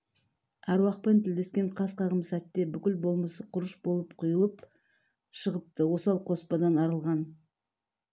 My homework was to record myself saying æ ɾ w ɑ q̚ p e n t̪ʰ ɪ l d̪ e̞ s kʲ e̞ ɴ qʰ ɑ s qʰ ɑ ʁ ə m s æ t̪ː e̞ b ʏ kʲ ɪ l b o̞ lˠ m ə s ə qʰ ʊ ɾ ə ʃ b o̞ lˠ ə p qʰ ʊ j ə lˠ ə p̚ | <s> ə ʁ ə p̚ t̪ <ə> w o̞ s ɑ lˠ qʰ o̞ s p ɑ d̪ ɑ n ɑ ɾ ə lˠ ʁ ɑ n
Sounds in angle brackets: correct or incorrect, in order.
incorrect: ʃ, correct

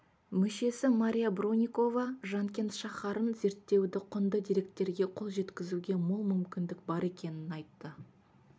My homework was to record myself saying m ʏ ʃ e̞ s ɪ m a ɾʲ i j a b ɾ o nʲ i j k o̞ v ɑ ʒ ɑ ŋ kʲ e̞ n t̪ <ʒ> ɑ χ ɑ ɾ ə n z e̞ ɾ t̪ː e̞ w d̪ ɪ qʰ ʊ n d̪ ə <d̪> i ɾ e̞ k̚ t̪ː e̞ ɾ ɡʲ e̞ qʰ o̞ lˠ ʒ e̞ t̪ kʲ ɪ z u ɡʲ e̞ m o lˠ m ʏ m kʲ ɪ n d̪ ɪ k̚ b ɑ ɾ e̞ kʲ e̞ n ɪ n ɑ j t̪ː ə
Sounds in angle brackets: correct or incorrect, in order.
incorrect: ʃ, correct

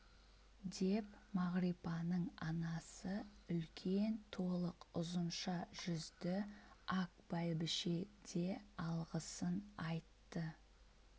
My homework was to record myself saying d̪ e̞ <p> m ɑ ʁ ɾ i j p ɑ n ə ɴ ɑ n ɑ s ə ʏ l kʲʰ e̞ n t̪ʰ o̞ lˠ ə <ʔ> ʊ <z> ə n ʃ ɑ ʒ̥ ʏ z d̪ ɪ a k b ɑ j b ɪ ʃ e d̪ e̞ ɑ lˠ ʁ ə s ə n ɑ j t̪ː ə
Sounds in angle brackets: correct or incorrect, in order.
correct, incorrect: q, correct

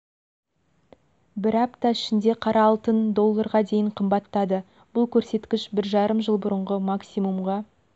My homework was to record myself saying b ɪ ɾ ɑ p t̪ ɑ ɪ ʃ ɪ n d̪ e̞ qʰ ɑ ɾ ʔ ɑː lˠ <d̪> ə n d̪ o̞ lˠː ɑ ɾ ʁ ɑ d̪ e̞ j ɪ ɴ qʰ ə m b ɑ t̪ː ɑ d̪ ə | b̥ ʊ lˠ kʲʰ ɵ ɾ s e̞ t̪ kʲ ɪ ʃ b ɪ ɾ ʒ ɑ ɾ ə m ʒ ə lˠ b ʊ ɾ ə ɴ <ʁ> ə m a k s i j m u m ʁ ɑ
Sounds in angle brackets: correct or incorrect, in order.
incorrect: t̪, correct

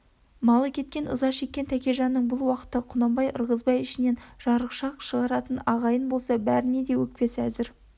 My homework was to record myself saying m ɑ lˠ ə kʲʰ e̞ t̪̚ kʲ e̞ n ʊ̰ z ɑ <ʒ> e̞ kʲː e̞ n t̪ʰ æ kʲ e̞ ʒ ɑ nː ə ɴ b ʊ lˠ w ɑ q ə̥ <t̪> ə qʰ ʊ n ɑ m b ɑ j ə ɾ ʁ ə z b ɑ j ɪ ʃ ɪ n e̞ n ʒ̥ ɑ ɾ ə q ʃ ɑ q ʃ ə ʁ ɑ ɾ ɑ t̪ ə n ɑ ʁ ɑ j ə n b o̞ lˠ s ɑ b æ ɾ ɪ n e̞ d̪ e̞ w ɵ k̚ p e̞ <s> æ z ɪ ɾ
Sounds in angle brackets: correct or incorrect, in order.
incorrect: ʃ, correct, correct

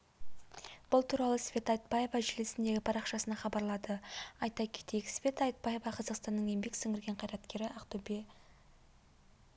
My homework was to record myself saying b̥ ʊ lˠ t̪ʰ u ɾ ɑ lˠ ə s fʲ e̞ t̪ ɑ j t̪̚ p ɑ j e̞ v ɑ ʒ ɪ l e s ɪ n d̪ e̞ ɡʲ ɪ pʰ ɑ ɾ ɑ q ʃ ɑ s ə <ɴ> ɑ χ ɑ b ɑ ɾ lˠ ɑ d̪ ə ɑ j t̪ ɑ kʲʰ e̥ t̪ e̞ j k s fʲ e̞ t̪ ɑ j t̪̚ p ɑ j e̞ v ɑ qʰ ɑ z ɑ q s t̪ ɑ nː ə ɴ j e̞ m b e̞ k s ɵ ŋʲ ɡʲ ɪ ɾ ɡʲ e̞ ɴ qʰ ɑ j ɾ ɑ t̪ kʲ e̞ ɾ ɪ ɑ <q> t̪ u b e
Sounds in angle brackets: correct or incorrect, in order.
incorrect: n, correct

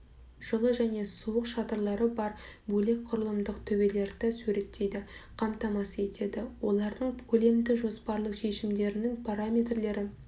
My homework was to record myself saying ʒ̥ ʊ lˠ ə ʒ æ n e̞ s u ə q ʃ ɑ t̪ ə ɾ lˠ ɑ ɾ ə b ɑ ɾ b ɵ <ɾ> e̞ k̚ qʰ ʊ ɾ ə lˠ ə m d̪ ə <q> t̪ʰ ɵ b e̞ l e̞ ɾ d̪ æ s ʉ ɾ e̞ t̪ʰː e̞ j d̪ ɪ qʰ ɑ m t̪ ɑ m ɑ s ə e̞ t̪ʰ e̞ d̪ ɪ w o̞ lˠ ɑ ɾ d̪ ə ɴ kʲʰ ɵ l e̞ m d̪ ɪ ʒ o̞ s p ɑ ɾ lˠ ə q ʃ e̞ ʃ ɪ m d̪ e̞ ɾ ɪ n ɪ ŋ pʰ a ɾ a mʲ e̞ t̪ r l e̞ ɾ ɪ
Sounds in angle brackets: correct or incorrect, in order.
incorrect: l, correct

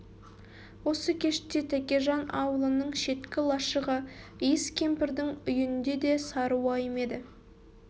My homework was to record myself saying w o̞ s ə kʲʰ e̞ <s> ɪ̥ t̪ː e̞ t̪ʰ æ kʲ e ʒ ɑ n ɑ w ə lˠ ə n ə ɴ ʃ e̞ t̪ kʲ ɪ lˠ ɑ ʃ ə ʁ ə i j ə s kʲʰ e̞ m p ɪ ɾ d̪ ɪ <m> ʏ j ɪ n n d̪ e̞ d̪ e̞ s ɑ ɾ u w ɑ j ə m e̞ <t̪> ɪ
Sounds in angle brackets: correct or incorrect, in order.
incorrect: ʃ, incorrect: ŋ, incorrect: d̪

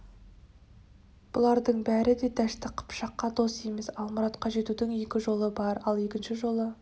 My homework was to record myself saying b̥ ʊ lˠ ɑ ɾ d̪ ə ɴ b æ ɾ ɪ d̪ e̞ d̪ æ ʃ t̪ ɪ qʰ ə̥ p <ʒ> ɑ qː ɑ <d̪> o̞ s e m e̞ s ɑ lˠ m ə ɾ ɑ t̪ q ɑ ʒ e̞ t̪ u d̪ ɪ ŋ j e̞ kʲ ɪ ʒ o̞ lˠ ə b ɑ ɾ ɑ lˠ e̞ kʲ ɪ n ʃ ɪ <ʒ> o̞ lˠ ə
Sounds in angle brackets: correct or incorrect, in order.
incorrect: ʃ, correct, correct

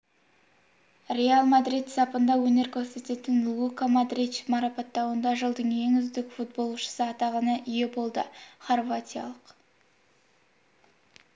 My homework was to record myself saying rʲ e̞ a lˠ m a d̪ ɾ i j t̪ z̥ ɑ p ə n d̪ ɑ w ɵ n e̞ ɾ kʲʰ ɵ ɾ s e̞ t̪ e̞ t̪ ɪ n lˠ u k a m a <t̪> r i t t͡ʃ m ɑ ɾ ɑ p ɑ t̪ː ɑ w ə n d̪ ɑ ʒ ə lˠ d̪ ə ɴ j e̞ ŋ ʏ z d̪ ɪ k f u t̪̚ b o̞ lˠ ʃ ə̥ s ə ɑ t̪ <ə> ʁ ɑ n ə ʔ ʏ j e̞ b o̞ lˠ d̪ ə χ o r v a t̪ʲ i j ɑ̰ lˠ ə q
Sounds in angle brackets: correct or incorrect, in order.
incorrect: d̪, incorrect: ɑ

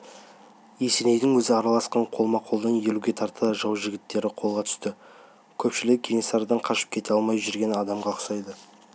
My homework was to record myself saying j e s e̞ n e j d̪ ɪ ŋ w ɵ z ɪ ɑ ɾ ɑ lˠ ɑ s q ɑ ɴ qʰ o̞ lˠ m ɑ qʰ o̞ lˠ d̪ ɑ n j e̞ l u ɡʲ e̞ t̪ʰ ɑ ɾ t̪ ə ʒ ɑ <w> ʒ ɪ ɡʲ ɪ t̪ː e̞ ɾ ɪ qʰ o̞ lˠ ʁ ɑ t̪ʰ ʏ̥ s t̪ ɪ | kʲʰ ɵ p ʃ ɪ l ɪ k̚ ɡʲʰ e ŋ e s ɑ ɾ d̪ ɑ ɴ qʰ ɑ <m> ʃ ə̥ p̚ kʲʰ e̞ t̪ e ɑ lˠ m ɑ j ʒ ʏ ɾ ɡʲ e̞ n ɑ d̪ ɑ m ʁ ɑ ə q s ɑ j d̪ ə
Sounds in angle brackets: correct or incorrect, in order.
correct, incorrect: none

